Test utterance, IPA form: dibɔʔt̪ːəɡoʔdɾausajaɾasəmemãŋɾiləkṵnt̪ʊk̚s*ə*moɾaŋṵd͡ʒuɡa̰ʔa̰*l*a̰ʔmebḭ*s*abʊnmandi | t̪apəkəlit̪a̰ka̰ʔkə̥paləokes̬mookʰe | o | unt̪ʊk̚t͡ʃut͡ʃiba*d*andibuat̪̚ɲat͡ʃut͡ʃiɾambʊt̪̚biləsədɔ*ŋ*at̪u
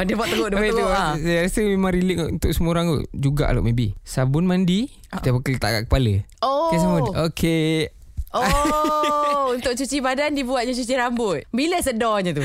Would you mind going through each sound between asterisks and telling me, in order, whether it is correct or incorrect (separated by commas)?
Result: correct, correct, correct, correct, incorrect